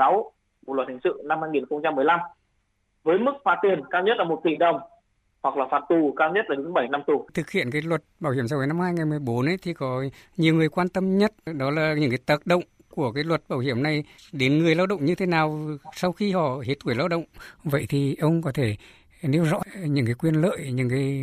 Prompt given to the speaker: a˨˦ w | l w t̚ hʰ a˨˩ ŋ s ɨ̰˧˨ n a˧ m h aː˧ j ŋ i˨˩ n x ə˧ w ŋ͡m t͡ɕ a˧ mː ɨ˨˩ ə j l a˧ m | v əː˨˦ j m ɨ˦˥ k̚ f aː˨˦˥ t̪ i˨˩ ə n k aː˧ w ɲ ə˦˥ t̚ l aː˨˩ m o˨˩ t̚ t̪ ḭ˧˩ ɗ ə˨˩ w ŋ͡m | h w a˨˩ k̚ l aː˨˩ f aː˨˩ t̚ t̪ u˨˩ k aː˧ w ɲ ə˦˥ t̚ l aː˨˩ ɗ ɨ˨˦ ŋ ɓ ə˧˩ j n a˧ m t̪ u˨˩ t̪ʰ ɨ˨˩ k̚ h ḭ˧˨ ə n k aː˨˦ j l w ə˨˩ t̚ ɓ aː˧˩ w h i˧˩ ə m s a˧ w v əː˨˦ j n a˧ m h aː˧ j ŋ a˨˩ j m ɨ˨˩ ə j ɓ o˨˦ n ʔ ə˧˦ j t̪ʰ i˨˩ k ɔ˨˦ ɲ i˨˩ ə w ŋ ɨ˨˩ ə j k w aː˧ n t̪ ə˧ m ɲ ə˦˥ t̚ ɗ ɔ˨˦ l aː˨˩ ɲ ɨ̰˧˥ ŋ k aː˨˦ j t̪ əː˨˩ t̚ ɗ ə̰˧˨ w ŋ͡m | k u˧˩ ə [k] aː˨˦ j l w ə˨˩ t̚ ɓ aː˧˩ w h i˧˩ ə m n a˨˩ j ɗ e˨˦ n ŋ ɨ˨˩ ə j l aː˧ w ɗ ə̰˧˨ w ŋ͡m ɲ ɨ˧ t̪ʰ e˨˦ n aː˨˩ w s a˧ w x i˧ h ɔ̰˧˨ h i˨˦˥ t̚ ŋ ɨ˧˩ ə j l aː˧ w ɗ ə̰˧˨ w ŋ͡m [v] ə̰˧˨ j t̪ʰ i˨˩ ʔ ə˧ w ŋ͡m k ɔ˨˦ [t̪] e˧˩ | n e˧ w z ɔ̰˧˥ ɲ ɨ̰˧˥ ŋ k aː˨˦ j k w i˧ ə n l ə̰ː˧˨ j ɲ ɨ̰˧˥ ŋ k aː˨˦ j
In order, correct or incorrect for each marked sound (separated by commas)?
correct, correct, incorrect